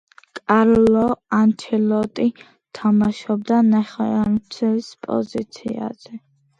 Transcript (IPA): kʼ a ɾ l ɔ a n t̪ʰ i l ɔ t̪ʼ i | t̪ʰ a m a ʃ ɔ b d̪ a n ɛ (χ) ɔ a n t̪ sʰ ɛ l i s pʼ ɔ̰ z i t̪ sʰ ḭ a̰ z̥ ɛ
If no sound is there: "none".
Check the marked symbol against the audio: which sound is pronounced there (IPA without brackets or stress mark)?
χ